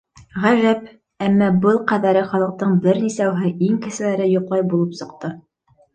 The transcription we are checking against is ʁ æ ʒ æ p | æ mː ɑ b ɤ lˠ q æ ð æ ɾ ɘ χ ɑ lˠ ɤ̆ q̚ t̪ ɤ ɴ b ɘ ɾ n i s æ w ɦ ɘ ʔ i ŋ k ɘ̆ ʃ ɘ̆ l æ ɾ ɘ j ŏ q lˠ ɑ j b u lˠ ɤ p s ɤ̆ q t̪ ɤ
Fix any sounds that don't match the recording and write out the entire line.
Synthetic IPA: ʁ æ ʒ æ p | æ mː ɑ b ɤ lˠ q æ ð æ ɾ ɘ χ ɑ lˠ ɤ̆ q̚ t̪ ɤ ɴ b ɘ ɾ n i s æ w ɦ ɘ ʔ i ŋ k ɘ̆ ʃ ɘ̆ l æ ɾ ɘ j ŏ q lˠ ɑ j b u lˠ ɤ p s ɤ̆ q t̪ ɤ